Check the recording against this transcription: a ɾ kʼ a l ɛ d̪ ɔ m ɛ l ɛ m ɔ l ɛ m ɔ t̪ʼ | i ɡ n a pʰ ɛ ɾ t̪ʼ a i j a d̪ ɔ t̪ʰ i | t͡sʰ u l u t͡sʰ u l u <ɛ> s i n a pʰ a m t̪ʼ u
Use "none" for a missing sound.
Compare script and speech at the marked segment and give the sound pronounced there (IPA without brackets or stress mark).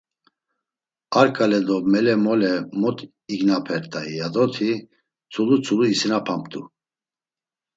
i